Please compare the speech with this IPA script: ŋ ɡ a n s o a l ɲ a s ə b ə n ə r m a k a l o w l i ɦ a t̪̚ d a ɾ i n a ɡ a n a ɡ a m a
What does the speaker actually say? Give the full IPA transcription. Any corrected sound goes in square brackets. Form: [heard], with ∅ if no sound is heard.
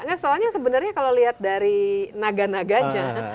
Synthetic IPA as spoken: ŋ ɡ a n s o a l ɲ a s ə b ə n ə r [ɲ] a k a l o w l i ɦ a t̪̚ d a ɾ i n a ɡ a n a ɡ a [ɲ] a